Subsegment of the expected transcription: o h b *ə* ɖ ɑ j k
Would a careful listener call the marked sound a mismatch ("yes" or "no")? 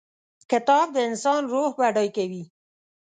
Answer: yes